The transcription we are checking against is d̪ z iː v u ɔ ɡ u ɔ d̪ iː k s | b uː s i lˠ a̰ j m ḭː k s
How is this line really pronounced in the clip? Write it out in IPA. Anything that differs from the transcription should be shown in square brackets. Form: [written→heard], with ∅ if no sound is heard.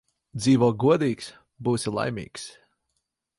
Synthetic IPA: d̪ z iː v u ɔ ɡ u ɔ d̪ iː k s | b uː s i lˠ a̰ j m ḭː k s

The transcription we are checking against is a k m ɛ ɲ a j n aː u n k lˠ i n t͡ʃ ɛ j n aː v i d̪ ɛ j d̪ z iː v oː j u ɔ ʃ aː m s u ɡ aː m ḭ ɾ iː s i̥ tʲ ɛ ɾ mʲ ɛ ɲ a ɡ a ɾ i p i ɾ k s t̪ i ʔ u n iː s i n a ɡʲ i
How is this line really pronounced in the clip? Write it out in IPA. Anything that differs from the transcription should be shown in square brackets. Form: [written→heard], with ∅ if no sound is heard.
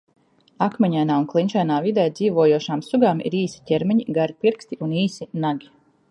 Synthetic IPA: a k m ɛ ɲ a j n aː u n k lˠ i n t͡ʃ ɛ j n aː v i d̪ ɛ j d̪ z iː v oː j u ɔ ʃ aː m s u ɡ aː m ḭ ɾ iː s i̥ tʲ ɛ ɾ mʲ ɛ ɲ [a→i] ɡ a ɾ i p i ɾ k s t̪ i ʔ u n iː s i n a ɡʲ i

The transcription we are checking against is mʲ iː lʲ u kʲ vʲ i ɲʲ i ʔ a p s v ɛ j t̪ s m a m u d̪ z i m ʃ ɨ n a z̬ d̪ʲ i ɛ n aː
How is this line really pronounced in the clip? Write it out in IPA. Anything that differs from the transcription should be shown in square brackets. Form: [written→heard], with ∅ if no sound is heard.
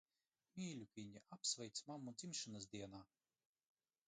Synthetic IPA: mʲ iː lʲ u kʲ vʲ i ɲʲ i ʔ a p s v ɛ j t̪ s m a m u d̪ z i m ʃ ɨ n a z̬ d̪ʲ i ɛ n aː

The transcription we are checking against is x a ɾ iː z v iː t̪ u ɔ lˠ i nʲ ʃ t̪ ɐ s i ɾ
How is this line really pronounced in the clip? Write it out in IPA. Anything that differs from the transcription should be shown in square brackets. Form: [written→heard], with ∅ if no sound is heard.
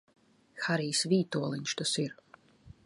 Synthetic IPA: x a ɾ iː [z→s] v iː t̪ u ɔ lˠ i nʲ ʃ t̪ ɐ s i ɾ

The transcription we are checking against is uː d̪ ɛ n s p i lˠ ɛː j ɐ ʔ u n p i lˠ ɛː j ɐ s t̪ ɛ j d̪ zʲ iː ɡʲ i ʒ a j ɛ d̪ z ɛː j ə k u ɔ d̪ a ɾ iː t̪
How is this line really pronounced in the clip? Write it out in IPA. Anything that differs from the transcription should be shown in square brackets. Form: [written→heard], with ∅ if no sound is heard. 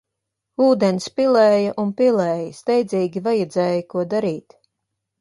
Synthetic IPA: uː d̪ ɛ n s p i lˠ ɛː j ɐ ʔ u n p i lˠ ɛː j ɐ s t̪ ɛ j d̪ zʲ iː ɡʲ i [ʒ→v] a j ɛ d̪ z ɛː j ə k u ɔ d̪ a ɾ iː t̪

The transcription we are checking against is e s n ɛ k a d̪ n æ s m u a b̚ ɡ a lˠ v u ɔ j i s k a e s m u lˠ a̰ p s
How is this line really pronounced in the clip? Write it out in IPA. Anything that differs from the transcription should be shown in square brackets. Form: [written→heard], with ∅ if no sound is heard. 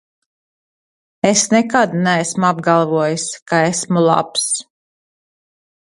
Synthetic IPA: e s n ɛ k a d̪ n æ s m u a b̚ ɡ a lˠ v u ɔ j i s k a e s m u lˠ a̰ p s

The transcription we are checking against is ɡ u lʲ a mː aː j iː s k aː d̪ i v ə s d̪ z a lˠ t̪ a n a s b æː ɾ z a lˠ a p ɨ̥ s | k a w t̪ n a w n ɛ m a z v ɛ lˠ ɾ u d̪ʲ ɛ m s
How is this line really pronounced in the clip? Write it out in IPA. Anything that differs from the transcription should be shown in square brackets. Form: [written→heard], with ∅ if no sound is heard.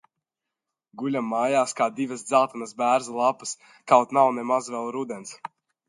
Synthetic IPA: ɡ u lʲ a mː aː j [iː→aː] s k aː d̪ i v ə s d̪ z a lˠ t̪ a n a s b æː ɾ z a lˠ a p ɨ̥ s | k a w t̪ n a w n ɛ m a z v ɛ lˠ ɾ u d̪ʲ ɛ [m→n] s

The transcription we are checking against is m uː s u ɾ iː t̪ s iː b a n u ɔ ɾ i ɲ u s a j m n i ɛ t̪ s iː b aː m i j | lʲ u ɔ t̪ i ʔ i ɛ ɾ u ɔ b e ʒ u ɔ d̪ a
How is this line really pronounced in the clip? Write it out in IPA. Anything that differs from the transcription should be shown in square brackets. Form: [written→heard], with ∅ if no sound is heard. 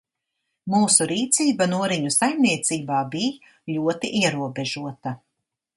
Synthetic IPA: m uː s u ɾ iː t̪ s iː b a n u ɔ ɾ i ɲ u s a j m n i ɛ t̪ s iː b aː [m→b] i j | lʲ u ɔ t̪ i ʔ i ɛ ɾ u ɔ b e ʒ u ɔ [d̪→t̪] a

